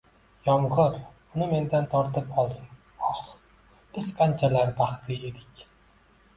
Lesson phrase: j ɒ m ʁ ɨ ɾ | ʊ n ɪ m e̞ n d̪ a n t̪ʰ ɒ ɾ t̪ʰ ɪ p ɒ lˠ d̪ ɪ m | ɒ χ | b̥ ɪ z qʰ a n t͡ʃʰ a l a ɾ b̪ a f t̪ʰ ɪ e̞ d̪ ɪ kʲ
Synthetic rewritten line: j ɒ m ʁ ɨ ɾ | ʊ n ɪ m e̞ n d̪ a n t̪ʰ ɒ ɾ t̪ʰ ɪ p ɒ lˠ d̪ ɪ m | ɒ χ | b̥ ɪ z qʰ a n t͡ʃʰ a l a ɾ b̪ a χ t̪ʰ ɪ e̞ d̪ ɪ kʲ